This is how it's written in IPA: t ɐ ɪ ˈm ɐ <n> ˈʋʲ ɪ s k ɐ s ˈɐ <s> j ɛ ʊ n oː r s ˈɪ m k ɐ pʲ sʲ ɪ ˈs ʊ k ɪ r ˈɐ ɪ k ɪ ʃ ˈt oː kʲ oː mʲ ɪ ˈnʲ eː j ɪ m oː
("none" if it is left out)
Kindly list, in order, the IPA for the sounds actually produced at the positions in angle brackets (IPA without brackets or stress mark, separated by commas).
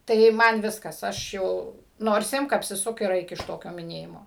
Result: n, ʃ